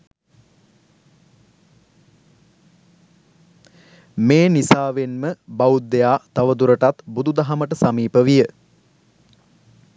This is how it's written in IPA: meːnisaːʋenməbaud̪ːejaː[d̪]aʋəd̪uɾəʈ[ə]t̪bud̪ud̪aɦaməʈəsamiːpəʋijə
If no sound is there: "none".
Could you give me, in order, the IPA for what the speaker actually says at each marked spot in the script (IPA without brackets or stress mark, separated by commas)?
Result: t̪, a